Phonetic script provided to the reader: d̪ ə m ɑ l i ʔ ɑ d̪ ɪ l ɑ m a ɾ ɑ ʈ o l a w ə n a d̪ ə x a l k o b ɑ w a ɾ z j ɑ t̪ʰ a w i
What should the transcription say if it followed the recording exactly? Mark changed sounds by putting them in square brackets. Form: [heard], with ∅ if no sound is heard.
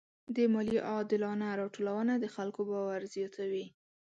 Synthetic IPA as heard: d̪ ə m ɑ l i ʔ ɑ d̪ ɪ l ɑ [n] a ɾ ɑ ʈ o l a w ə n a d̪ ə x a l k o b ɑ w a ɾ z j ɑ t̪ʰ a w i